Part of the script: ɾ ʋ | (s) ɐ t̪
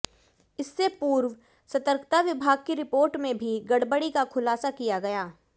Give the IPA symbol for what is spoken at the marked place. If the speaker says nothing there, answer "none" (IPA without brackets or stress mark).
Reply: s